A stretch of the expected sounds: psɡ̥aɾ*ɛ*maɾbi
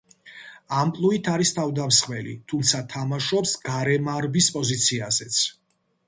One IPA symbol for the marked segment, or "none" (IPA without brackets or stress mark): ɛ